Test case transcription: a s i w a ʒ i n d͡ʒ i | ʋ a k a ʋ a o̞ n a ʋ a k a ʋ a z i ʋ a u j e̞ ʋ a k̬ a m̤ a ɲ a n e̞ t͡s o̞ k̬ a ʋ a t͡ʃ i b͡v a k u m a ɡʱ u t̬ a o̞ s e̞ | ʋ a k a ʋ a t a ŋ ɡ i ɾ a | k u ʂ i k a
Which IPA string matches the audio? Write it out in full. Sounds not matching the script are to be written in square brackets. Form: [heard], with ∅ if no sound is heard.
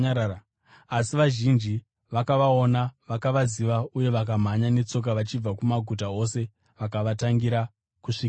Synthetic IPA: a s i [ʋ] a ʒ i n d͡ʒ i | ʋ a k a ʋ a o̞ n a ʋ a k a ʋ a z i ʋ a u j e̞ ʋ a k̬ a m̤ a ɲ a n e̞ t͡s o̞ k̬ a ʋ a t͡ʃ i b͡v a k u m a ɡʱ u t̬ a o̞ s e̞ | ʋ a k a ʋ a t a ŋ ɡ i ɾ a | k u ʂ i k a